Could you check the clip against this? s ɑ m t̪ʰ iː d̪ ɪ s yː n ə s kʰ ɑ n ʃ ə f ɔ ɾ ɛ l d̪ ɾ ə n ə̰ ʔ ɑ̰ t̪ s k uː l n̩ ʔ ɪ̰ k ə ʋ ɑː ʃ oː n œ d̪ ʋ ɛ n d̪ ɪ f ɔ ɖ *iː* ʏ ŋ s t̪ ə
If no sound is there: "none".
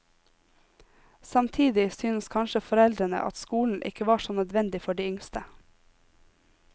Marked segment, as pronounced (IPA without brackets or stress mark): iː